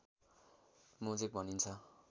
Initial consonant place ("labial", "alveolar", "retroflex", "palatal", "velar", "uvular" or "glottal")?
labial